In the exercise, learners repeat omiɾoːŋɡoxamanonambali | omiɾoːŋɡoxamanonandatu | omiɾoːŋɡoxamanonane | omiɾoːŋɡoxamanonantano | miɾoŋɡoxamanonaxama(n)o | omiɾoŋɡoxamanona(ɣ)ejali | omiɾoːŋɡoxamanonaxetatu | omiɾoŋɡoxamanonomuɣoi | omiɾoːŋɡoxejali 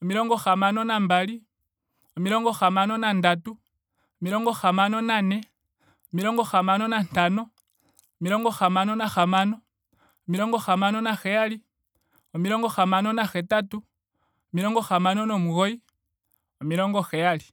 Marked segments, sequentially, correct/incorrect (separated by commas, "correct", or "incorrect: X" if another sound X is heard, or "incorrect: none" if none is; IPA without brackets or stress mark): correct, incorrect: x